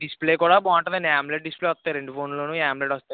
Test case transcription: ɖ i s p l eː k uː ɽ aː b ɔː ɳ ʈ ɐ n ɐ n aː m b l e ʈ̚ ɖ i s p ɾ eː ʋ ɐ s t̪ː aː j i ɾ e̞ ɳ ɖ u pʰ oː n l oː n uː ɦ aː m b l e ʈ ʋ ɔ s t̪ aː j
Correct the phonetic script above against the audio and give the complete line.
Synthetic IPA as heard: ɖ i s p l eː k uː ɽ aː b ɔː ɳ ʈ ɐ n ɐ n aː m b l e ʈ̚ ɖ i s p l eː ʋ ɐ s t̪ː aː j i ɾ e̞ ɳ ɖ u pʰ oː n l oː n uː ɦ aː m b l e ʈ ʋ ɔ s t̪ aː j